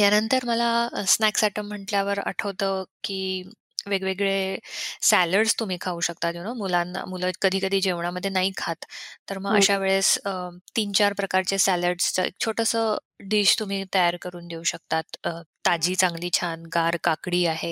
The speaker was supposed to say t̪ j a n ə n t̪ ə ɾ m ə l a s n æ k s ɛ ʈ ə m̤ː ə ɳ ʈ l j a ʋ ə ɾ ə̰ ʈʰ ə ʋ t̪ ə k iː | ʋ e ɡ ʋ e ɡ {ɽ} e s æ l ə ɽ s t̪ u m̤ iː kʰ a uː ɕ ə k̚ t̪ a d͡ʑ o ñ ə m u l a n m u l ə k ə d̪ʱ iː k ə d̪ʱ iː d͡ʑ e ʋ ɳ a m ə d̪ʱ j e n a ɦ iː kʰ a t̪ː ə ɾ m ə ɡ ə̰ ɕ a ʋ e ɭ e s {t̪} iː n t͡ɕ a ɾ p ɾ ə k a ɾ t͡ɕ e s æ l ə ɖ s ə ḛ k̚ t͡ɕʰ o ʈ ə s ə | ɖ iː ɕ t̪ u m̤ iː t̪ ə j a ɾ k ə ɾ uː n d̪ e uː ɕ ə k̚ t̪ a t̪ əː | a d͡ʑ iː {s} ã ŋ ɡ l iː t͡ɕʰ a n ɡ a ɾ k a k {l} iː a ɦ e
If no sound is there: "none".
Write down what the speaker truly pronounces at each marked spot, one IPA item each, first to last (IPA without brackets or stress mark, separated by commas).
ɭ, t̪, t͡s, ɽ